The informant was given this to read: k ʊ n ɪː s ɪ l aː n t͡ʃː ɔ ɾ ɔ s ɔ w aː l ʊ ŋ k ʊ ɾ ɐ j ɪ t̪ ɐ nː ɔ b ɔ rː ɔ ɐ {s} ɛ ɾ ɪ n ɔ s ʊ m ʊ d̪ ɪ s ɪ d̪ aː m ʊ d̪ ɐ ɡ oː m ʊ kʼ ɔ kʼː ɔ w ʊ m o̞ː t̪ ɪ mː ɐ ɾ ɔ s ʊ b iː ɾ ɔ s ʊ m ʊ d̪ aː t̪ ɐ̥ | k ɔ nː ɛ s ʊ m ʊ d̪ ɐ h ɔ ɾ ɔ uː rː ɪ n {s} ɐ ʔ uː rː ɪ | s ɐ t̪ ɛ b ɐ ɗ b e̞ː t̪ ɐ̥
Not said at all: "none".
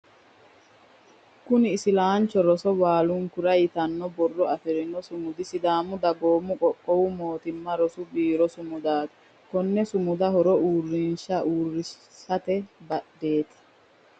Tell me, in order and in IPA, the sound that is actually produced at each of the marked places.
f, ʃ

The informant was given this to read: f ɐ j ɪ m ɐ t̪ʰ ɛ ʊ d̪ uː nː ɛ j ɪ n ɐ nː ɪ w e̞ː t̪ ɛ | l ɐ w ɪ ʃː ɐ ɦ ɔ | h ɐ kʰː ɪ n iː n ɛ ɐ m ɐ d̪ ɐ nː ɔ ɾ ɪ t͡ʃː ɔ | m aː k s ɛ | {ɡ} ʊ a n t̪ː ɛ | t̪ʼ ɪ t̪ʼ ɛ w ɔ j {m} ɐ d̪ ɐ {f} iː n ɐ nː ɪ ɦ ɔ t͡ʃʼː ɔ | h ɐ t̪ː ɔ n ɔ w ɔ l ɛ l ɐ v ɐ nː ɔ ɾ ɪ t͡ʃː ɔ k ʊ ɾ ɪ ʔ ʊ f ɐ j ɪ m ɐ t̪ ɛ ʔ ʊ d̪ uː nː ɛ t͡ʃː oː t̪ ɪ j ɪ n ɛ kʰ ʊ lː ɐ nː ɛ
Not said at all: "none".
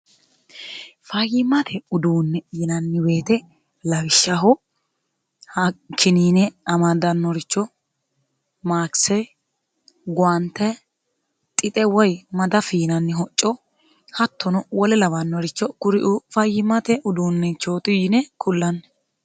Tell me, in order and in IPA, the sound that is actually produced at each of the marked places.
ɡ, m, f

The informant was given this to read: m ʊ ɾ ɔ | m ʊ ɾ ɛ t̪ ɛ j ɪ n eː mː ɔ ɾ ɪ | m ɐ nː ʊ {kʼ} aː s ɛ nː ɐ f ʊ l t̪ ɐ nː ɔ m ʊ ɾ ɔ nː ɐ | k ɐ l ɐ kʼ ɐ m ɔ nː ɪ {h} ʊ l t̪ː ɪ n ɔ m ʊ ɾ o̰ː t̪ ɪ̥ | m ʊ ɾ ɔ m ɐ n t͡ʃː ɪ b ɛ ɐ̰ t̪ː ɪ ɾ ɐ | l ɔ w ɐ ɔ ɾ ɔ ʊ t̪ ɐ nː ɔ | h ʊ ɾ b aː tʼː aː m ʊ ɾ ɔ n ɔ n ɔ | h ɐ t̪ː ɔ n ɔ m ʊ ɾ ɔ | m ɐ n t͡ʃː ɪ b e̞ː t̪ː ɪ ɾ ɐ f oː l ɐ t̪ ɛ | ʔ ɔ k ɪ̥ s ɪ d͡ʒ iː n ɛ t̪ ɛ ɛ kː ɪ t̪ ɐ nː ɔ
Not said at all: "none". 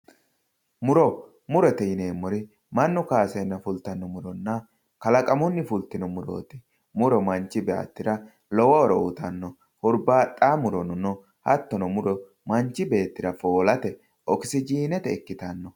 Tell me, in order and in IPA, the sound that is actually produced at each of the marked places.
k, f

